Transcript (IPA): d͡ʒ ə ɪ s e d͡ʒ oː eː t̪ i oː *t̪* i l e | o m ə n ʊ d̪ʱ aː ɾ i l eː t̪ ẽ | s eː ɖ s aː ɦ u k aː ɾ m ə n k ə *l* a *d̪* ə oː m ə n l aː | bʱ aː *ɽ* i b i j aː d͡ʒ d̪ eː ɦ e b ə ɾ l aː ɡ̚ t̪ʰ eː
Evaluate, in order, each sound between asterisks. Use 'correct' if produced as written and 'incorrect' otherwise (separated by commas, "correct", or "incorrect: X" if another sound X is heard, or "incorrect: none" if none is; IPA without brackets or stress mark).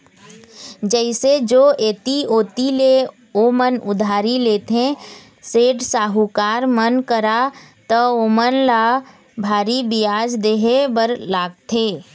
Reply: correct, incorrect: ɾ, incorrect: t̪, incorrect: ɾ